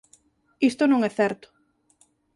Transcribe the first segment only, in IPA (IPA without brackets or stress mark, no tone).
i